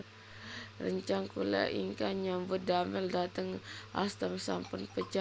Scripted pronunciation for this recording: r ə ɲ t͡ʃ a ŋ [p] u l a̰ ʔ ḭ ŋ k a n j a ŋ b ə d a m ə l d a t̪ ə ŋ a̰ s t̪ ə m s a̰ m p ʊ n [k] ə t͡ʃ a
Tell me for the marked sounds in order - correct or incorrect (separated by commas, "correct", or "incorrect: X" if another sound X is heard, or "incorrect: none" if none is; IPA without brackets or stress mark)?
incorrect: k, incorrect: p